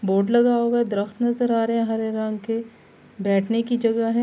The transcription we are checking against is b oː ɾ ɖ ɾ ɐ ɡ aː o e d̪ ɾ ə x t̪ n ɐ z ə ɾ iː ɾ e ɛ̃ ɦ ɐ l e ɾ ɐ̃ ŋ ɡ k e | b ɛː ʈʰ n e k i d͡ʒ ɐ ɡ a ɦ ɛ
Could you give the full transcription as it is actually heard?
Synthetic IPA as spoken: b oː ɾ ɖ l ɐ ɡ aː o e d̪ ɾ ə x t̪ n ɐ z ə ɾ aː ɾ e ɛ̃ ɦ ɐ ɾ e ɾ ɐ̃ ŋ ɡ k e | b ɛː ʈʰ n e k i d͡ʒ ɐ ɡ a ɦ ɛ